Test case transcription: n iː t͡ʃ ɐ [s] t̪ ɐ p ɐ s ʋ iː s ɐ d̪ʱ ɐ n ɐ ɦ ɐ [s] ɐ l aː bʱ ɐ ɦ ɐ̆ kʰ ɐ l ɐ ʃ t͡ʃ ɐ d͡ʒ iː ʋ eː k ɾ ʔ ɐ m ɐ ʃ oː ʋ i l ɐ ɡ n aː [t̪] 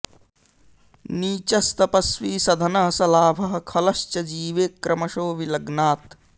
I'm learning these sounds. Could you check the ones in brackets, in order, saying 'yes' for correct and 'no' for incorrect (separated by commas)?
yes, yes, yes